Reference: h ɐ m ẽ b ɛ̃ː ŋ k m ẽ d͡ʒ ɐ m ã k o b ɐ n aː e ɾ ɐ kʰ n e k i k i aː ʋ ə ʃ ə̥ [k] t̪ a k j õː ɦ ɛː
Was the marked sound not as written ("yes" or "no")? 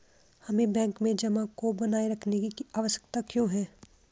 no